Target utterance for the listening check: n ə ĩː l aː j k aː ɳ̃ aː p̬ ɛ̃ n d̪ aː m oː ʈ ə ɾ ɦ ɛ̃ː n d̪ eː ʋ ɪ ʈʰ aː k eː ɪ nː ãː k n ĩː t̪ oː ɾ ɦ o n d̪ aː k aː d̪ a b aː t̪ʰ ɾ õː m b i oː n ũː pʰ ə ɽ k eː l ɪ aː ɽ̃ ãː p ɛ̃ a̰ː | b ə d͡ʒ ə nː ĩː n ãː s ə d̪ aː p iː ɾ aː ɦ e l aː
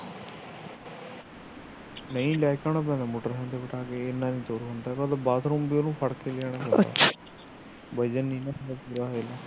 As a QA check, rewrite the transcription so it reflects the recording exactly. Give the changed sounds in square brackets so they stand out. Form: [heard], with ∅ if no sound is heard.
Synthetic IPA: n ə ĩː l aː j k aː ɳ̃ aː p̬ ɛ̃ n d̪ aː m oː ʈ ə ɾ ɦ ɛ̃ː n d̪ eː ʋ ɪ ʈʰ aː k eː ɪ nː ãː [∅] n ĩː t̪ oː ɾ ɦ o n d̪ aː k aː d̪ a b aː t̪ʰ ɾ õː m b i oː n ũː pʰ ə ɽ k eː l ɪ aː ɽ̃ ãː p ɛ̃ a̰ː | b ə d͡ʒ ə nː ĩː n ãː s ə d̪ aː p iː ɾ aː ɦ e l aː